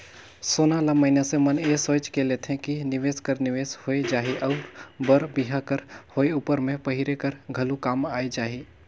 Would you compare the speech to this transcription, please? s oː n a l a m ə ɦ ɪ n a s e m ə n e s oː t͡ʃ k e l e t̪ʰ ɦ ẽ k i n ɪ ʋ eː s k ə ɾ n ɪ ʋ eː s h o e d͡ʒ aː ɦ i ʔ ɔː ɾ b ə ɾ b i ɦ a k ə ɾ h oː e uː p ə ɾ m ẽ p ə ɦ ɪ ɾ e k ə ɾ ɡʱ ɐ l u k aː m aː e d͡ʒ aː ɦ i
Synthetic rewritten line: s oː n a l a m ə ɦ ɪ n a s e m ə n e s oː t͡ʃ k e l e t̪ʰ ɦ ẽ k i n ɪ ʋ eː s k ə ɾ n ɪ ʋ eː s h o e d͡ʒ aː ɦ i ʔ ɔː ɾ b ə ɾ b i ɦ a k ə ɾ h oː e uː p ə ɾ m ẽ p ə ɦ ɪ ɾ e k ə ɾ ɡʱ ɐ l u k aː m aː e d͡ʒ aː ɦ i